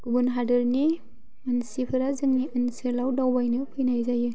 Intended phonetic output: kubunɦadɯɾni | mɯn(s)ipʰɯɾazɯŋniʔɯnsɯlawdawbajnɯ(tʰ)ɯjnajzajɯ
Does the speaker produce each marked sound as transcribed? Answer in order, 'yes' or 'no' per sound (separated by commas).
yes, no